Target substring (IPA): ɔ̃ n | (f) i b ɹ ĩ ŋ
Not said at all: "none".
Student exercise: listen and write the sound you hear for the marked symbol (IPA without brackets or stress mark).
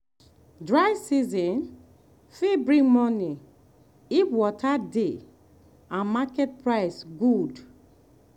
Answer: f